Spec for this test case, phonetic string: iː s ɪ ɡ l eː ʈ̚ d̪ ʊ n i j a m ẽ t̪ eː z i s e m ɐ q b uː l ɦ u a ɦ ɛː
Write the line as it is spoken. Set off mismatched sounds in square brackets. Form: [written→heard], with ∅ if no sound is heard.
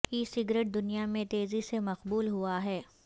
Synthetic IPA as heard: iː s ɪ ɡ [l→ɾ] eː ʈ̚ d̪ ʊ n i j a m ẽ t̪ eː z i s e m ɐ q b uː l ɦ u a ɦ ɛː

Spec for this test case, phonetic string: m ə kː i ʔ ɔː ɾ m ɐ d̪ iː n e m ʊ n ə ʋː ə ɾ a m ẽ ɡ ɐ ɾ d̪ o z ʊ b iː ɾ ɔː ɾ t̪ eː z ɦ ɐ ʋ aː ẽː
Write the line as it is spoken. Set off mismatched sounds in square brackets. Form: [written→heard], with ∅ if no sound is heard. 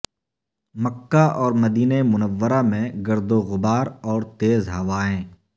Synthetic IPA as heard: m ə kː [i→a] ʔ ɔː ɾ m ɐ d̪ iː n e m ʊ n ə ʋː ə ɾ a m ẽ ɡ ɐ ɾ d̪ o [z→ɣ] ʊ b [iː→aː] ɾ ɔː ɾ t̪ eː z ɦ ɐ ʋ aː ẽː

